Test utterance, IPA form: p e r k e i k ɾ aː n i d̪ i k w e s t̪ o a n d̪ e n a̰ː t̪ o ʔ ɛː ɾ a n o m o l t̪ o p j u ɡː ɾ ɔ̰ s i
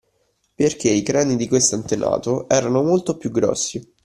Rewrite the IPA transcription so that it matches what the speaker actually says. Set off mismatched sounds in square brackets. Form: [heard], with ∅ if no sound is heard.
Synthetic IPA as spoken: p e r k e i k ɾ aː n i d̪ i k w e s t̪ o a n [t̪] e n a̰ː t̪ o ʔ ɛː ɾ a n o m o l t̪ o p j u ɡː ɾ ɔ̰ [sː] i

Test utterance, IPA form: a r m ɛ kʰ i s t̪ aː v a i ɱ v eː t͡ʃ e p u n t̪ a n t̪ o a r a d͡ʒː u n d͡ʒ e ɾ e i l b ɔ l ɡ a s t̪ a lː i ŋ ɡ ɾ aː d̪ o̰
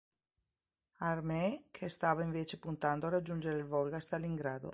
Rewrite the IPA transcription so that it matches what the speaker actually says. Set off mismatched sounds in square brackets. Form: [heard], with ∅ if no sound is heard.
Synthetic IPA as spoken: a r m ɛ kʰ [e] s t̪ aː v a i ɱ v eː t͡ʃ e p u n t̪ a n [d̪] o a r a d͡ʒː u n d͡ʒ e ɾ e i l [v] ɔ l ɡ a s t̪ a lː i ŋ ɡ ɾ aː d̪ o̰

